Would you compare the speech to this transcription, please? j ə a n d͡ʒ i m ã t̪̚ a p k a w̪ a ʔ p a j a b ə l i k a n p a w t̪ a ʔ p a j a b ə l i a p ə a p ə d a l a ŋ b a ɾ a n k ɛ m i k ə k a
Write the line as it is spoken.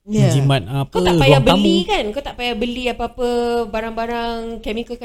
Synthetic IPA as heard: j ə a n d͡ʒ i m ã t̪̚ a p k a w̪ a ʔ p a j a b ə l i k a n k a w t̪ a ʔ p a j a b ə l i a p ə a p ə b a ɾ a ŋ b a ɾ a ŋ k ɛ m i k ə k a